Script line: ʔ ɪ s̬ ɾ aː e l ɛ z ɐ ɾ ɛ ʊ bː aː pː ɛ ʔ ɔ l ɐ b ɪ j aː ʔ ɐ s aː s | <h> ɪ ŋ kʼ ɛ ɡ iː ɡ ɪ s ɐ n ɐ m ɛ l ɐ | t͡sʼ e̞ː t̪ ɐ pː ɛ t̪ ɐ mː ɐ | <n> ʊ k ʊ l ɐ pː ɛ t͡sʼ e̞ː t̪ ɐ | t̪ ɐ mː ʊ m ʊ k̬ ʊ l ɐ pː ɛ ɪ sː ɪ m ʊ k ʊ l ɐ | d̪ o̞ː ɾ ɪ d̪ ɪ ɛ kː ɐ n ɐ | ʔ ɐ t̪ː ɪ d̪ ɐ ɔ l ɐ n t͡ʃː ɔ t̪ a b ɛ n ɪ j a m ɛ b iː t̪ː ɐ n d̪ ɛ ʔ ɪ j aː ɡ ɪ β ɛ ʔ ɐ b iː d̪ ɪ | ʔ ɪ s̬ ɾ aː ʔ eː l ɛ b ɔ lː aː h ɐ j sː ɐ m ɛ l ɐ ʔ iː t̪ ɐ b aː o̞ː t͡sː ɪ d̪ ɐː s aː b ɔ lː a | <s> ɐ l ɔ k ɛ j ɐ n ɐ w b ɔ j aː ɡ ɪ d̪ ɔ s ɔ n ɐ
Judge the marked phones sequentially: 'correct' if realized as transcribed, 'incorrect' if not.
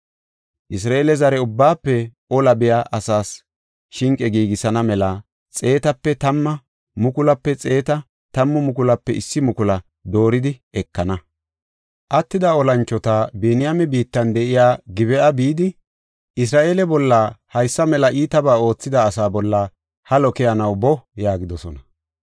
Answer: incorrect: ʃ, incorrect: m, incorrect: h

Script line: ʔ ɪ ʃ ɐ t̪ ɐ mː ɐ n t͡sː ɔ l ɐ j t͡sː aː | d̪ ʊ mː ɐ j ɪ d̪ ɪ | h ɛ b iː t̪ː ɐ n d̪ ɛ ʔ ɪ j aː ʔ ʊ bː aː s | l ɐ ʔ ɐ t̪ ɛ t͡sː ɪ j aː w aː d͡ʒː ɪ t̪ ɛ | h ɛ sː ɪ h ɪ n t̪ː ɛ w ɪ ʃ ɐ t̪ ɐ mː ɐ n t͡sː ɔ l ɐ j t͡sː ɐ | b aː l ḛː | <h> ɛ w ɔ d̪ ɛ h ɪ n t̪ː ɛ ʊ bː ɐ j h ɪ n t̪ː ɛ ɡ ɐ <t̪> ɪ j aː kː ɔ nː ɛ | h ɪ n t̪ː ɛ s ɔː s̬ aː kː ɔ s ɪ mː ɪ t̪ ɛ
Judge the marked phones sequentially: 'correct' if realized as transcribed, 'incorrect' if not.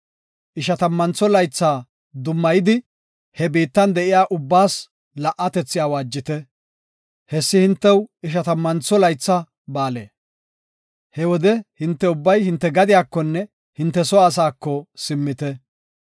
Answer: correct, incorrect: d̪

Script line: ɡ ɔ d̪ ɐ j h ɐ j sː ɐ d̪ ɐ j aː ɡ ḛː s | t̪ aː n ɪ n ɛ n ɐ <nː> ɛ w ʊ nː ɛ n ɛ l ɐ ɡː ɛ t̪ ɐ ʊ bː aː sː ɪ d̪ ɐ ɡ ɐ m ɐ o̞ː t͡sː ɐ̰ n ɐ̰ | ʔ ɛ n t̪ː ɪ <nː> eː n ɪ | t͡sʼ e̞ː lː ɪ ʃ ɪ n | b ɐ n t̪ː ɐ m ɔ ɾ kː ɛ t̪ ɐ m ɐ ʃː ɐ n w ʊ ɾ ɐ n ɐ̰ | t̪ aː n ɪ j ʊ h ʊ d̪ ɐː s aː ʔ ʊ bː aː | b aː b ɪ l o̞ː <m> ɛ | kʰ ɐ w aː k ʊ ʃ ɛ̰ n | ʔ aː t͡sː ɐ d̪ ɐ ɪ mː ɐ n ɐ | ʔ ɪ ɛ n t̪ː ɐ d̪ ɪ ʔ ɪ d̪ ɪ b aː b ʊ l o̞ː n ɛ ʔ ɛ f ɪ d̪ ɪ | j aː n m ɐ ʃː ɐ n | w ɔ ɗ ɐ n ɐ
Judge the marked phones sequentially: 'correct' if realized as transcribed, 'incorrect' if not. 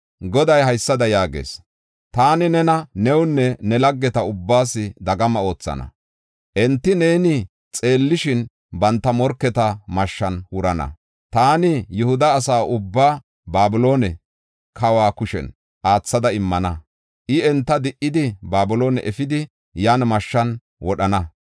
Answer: incorrect: n, incorrect: n, incorrect: n

